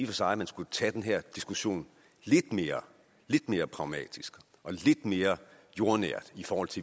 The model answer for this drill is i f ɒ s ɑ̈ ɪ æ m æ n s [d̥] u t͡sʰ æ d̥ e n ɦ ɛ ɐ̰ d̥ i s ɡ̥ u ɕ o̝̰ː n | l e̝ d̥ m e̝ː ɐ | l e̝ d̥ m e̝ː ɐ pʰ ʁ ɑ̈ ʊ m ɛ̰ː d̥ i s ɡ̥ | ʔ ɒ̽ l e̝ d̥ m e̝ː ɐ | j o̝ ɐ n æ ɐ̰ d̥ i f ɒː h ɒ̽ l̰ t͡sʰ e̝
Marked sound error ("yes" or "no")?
yes